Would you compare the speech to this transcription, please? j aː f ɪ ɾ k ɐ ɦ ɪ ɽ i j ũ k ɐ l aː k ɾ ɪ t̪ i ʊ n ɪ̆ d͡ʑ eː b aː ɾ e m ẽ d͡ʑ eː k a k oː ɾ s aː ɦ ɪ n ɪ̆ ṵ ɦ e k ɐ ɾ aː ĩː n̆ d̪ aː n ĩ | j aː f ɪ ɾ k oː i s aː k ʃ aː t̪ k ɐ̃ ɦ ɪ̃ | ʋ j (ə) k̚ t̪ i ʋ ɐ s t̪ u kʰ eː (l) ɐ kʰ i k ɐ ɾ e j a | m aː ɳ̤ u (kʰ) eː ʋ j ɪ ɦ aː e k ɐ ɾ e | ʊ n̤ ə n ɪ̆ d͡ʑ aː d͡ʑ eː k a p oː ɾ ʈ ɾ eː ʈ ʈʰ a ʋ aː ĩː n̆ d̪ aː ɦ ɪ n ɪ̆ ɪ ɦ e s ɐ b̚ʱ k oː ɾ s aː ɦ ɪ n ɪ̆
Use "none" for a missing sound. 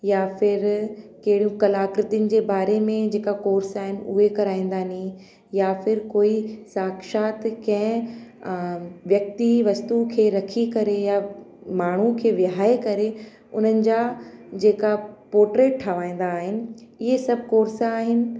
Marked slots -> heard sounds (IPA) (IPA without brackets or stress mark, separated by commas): ɐ, ɾ, kʰ